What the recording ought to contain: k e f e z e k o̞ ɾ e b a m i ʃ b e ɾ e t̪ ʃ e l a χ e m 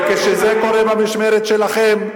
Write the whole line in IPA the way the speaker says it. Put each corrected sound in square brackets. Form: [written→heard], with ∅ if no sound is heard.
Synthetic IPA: k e [f→ʃ] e z e k o̞ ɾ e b a m i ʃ [b→m] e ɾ e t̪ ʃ e l a χ e m